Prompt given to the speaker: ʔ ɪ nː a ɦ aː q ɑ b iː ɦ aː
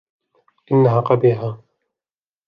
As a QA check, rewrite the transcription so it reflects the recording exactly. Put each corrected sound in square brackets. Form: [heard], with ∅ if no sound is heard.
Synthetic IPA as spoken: ʔ ɪ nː a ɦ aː q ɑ b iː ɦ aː